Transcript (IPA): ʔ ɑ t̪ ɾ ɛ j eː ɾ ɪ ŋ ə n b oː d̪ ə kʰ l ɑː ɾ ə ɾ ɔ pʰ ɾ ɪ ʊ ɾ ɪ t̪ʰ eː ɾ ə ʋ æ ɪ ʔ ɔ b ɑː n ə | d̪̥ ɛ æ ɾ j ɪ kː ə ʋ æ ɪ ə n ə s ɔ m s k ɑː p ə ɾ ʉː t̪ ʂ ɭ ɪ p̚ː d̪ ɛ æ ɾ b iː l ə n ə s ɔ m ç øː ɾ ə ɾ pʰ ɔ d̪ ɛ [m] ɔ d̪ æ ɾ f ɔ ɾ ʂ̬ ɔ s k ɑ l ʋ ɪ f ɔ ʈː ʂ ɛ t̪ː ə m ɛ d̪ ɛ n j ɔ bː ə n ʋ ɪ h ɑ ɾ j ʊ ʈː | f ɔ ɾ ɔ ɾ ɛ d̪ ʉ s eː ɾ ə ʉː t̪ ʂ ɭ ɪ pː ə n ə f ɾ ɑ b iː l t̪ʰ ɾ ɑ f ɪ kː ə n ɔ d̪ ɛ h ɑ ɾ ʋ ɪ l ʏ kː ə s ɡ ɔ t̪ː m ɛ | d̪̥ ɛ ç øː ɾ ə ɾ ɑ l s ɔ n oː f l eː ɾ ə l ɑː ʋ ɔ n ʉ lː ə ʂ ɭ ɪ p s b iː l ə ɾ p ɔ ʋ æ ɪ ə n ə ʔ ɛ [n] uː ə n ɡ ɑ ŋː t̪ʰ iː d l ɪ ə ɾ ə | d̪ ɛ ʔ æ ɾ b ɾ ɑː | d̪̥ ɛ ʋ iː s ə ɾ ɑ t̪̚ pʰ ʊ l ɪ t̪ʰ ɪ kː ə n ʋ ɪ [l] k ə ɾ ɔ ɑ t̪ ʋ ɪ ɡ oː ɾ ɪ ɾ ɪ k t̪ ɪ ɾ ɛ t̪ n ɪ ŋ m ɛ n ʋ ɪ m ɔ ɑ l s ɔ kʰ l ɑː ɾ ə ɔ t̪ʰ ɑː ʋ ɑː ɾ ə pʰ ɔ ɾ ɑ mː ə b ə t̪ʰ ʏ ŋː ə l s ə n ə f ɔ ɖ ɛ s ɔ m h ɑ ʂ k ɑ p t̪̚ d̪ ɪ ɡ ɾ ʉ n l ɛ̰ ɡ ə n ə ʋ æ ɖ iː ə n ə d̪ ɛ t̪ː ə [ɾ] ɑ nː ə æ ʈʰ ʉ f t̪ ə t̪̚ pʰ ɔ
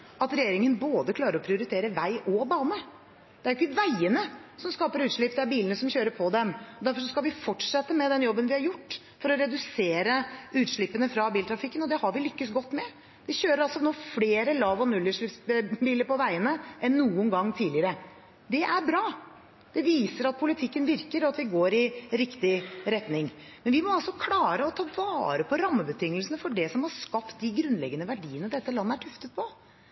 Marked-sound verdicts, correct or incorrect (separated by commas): correct, incorrect, incorrect, incorrect